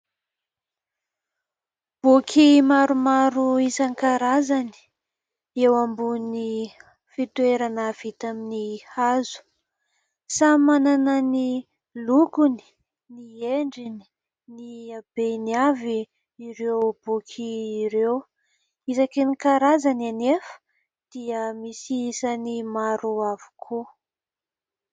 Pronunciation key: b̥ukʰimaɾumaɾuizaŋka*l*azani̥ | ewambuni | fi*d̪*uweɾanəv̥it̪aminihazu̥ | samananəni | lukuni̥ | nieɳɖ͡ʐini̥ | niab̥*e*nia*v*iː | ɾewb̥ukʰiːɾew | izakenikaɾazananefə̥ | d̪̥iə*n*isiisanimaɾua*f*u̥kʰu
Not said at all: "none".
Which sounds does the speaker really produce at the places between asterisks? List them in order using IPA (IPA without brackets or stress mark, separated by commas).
ɾ, t̪, e, v, m, v